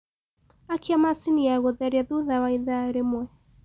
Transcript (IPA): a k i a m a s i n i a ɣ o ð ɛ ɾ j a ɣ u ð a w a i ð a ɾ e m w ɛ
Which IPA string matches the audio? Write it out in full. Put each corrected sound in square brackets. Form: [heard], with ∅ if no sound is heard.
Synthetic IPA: a k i a m a s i n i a ɣ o ð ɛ ɾ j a [ð] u ð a w a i ð a ɾ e m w ɛ